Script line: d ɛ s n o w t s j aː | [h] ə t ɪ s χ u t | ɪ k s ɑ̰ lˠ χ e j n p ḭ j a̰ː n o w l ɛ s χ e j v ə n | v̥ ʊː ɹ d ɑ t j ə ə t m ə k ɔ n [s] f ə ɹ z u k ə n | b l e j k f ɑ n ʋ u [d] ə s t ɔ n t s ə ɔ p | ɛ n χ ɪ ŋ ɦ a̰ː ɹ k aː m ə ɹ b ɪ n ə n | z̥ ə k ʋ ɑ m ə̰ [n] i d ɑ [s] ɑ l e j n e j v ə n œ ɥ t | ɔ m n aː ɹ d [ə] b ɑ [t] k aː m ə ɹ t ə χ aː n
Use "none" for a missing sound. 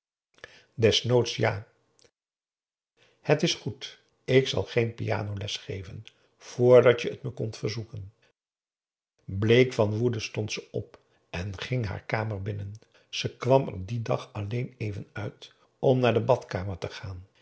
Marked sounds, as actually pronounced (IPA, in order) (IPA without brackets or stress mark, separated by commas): h, t, d, d, χ, ə, t